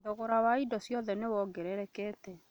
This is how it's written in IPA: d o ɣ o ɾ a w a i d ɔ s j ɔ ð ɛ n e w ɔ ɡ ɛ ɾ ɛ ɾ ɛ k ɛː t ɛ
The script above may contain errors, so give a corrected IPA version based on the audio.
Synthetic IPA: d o ɣ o ɾ a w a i d ɔ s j ɔ ð ɛ n e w ɔ ɡ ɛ ɾ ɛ ɾ ɛ k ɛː t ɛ